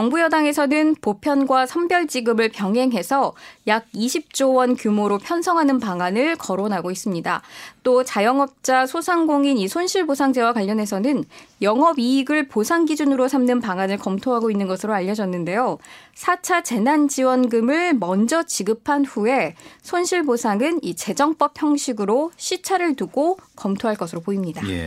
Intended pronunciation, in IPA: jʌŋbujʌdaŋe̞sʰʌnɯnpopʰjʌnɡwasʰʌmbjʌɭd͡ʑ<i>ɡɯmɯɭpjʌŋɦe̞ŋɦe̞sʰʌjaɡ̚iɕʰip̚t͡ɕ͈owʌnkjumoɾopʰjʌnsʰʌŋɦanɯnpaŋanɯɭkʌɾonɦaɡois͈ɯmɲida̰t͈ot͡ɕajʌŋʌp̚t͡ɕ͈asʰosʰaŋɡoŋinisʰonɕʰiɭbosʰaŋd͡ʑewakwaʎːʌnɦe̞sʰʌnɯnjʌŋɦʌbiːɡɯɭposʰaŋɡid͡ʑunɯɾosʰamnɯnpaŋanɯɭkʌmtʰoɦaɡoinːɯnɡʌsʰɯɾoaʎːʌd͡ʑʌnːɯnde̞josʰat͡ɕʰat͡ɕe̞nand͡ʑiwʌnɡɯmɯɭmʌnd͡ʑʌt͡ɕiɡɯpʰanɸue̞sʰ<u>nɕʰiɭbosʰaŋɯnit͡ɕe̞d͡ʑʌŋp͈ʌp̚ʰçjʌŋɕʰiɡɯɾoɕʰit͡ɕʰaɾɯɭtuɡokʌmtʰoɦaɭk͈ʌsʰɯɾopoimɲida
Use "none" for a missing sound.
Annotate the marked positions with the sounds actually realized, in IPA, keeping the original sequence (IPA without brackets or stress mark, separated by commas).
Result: i, o